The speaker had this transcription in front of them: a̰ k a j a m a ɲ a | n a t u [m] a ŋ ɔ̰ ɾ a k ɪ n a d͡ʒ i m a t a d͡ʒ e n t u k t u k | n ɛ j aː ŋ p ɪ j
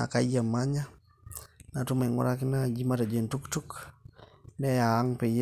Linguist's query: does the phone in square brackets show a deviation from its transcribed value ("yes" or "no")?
no